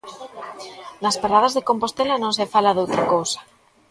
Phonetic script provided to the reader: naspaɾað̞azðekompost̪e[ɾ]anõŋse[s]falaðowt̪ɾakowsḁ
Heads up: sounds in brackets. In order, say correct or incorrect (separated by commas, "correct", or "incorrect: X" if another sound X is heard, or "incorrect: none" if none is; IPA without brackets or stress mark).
incorrect: l, incorrect: none